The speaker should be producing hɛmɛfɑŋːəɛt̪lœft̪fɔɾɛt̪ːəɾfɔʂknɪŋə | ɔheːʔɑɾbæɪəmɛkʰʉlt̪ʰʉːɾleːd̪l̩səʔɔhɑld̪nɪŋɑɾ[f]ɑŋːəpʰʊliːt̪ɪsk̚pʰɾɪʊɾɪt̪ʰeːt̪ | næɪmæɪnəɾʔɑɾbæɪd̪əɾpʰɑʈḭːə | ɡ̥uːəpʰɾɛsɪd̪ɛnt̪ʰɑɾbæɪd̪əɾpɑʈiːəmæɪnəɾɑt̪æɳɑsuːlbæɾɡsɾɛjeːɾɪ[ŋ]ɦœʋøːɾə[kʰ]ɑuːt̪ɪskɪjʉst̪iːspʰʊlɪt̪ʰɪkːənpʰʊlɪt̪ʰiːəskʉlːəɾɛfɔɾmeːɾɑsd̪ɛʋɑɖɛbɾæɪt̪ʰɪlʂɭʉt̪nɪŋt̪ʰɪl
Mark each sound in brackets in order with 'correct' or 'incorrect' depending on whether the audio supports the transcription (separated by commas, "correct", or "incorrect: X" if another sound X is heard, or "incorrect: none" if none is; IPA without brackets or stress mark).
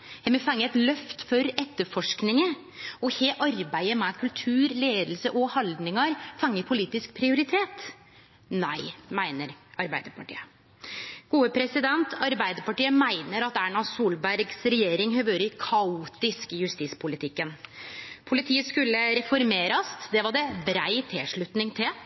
correct, correct, correct